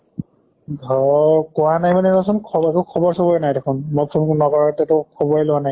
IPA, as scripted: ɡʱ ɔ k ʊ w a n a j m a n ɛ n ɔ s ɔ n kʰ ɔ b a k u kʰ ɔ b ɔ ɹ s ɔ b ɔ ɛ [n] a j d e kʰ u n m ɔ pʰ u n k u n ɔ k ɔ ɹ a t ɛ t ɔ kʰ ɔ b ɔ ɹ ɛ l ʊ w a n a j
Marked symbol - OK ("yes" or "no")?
yes